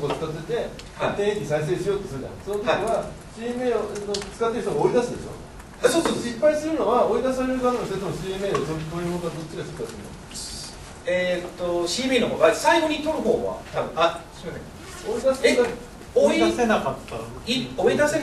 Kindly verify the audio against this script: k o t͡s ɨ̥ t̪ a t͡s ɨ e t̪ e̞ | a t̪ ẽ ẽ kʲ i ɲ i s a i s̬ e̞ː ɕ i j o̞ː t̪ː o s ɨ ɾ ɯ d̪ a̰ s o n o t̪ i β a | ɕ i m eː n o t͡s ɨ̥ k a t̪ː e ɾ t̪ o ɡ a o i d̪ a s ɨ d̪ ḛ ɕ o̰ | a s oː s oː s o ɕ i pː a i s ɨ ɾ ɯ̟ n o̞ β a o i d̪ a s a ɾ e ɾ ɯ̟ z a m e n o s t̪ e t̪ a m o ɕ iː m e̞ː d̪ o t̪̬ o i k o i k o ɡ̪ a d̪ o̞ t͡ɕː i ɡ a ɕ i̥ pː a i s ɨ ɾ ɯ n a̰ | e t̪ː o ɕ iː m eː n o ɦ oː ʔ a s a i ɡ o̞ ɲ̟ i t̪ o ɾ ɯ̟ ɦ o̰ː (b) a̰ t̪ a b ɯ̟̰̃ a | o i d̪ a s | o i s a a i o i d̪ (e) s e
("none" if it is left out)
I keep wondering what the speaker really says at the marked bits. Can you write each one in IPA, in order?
β, a

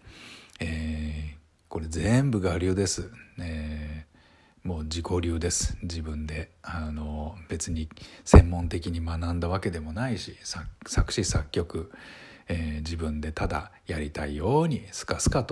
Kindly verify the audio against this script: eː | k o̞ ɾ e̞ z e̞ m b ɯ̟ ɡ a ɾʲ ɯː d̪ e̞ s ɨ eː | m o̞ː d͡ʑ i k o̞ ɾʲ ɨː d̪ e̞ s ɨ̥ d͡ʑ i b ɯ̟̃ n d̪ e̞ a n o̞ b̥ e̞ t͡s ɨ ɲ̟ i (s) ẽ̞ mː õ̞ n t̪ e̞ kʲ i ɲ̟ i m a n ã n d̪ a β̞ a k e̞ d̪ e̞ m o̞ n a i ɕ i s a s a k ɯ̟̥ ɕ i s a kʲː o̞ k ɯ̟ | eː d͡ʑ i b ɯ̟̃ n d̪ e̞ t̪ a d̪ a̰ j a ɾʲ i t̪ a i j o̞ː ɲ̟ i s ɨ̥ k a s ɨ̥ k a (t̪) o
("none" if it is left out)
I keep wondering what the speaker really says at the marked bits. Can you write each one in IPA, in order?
s, t̪

